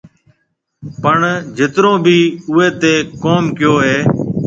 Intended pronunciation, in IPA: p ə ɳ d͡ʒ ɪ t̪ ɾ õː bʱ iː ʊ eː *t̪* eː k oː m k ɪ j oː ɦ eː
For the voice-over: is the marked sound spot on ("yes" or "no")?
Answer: yes